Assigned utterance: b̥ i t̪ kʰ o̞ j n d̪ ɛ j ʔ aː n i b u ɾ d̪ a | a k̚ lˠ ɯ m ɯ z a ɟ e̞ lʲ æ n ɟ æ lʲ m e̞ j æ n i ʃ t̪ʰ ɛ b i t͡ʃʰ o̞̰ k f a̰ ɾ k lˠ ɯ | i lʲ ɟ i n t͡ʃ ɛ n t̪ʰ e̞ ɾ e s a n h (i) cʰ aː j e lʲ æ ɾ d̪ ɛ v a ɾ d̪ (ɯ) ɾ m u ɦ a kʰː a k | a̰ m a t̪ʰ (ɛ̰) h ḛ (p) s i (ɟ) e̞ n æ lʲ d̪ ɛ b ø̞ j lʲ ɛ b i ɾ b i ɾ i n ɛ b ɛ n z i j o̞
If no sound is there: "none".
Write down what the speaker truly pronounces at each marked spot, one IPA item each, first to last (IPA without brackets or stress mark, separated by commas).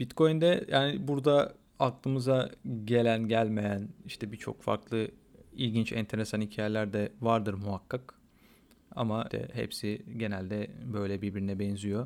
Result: i, ɯ, ɛ̰, p, ɟ